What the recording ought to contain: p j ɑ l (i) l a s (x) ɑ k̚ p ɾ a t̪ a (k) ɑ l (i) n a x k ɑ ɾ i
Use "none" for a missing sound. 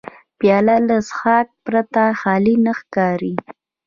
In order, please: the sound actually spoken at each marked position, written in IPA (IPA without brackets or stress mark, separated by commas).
a, x, x, i